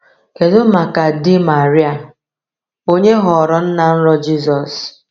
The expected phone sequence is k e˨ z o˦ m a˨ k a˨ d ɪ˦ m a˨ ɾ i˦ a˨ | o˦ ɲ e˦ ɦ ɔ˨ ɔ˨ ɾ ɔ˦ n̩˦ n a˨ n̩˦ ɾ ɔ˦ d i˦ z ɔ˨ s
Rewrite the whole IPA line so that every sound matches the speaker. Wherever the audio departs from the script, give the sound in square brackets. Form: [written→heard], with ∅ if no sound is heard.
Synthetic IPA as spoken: k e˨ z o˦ m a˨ k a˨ d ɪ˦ m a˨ ɾ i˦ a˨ | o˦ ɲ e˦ ɦ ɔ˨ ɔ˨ ɾ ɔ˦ n̩˦ n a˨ n̩˦ ɾ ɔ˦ [d→d͡ʒ] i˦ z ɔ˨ s